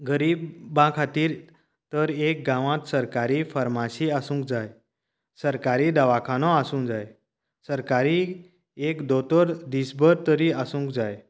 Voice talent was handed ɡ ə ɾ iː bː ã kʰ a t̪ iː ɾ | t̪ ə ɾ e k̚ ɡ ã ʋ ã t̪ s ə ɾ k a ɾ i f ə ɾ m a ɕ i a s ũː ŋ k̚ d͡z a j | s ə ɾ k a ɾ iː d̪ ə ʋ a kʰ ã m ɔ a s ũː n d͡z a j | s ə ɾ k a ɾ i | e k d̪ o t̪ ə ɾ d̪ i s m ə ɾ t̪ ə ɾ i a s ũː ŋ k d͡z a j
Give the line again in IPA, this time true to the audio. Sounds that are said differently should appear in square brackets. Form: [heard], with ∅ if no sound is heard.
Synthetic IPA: ɡ ə ɾ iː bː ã kʰ a t̪ iː ɾ | t̪ ə ɾ e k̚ ɡ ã ʋ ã t̪ s ə ɾ k a ɾ i f ə ɾ m a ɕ i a s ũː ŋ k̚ d͡z a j | s ə ɾ k a ɾ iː d̪ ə ʋ a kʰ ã [n] ɔ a s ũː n d͡z a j | s ə ɾ k a ɾ i | e k d̪ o t̪ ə ɾ d̪ i s [b] ə ɾ t̪ ə ɾ i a s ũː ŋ k d͡z a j